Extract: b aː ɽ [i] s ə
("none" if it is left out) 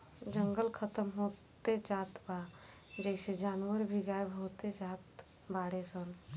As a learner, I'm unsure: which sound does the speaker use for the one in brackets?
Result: e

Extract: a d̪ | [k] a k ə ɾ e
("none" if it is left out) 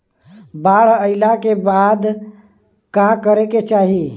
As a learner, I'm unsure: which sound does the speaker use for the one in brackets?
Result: k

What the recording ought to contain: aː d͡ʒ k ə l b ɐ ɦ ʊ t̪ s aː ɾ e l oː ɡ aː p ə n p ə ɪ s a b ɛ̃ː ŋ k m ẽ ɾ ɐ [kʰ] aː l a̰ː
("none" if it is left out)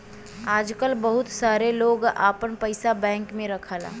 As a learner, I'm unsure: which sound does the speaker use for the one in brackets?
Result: kʰ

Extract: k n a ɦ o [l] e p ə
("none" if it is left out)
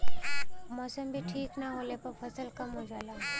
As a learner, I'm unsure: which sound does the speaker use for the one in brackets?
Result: l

